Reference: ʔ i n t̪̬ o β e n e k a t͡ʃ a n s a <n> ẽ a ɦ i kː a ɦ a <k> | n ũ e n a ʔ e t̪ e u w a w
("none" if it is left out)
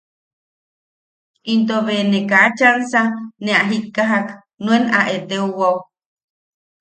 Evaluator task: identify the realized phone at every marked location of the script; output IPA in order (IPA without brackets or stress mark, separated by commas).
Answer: n, k